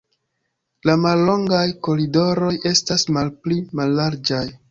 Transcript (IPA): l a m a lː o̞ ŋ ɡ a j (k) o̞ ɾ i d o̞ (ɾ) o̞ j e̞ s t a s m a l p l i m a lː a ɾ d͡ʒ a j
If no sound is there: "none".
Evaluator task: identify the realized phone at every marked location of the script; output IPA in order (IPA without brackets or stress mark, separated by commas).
k, ɾ